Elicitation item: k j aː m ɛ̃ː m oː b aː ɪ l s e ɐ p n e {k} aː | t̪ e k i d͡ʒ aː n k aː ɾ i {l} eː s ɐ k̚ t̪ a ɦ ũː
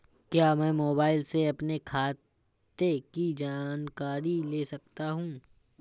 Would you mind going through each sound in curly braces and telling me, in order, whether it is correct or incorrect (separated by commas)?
incorrect, correct